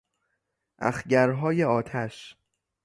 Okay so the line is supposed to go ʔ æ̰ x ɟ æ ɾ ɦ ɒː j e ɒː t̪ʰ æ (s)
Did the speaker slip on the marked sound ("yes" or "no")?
yes